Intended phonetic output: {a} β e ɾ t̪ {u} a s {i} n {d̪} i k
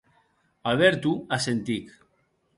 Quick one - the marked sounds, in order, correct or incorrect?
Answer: correct, correct, incorrect: e, incorrect: t̪

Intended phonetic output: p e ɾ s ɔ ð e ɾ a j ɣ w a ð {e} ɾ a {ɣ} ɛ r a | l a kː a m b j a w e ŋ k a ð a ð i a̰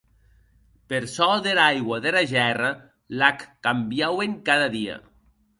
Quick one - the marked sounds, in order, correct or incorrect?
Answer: correct, incorrect: ʒ

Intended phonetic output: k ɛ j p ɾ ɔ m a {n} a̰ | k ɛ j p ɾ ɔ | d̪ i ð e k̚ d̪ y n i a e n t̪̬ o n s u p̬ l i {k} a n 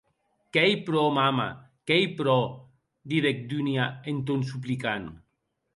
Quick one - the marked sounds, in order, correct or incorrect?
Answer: incorrect: m, correct

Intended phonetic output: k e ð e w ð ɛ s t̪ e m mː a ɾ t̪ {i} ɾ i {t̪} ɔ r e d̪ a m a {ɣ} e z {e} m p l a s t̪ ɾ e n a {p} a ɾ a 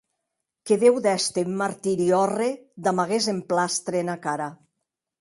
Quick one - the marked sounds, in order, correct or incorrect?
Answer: correct, incorrect: none, correct, correct, incorrect: k

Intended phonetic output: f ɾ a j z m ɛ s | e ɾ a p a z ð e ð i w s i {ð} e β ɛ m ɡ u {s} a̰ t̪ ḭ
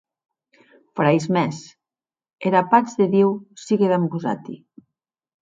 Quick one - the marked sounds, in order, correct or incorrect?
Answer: incorrect: ɣ, incorrect: z

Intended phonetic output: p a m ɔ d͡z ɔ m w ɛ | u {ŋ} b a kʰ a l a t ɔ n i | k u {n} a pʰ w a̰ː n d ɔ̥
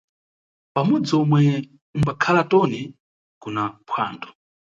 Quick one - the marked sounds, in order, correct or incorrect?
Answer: incorrect: m, correct

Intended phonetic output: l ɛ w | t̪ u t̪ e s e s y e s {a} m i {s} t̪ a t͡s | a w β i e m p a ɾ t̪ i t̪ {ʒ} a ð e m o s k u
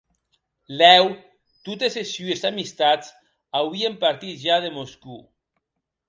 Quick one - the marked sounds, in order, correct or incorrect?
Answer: correct, correct, correct

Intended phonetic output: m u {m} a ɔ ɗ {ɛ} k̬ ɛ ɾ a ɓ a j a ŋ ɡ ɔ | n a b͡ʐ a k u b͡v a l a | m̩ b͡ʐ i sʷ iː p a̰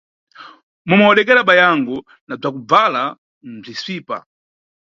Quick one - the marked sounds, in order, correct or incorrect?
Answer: correct, correct

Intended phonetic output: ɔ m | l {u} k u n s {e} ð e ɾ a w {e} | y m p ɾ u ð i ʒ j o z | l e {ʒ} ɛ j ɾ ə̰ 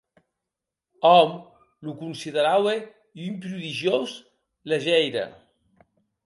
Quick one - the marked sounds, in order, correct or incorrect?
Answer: correct, incorrect: i, correct, correct

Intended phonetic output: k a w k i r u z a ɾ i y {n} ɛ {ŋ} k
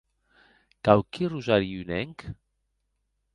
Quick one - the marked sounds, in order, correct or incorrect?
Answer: correct, correct

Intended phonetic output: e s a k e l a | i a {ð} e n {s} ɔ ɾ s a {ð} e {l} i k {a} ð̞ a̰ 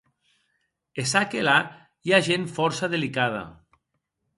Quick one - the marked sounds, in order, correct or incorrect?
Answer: incorrect: ʒ, incorrect: f, correct, correct, correct

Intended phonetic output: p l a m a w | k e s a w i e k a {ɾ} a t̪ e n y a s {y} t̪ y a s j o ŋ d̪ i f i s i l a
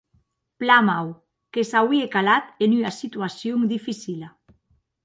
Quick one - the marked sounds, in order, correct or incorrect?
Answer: incorrect: l, incorrect: i

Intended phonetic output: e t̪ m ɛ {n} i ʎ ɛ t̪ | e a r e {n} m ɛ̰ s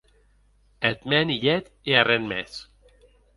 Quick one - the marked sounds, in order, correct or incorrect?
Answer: correct, correct

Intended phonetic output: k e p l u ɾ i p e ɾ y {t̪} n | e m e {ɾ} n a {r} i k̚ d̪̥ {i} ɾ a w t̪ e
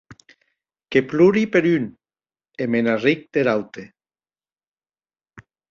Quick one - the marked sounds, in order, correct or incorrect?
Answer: incorrect: none, incorrect: none, correct, incorrect: e

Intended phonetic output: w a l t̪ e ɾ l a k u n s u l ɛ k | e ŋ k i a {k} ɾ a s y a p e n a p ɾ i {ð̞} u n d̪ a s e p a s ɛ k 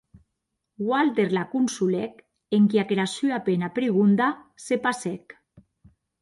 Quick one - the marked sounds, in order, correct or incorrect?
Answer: correct, incorrect: ɣ̞

